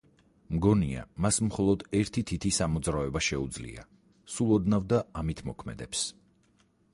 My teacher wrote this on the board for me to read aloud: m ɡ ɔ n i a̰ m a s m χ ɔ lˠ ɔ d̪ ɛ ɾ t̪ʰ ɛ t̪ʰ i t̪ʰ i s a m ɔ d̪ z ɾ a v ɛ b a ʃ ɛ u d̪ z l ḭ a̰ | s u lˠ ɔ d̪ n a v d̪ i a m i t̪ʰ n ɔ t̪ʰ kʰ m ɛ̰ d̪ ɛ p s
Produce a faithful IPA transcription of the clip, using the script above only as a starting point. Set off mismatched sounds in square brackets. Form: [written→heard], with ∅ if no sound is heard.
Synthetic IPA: m ɡ ɔ n i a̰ m a s m χ ɔ lˠ ɔ d̪ ɛ ɾ t̪ʰ [ɛ→i] t̪ʰ i t̪ʰ i s a m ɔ d̪ z ɾ a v ɛ b a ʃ ɛ u d̪ z l ḭ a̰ | s u lˠ ɔ d̪ n a v d̪ [i→a] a m i t̪ʰ [n→m] ɔ [t̪ʰ→∅] kʰ m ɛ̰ d̪ ɛ p s